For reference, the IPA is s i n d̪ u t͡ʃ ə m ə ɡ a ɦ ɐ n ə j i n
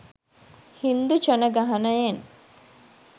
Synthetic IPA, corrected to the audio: h i n d̪ u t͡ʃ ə n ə ɡ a ɦ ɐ n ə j e n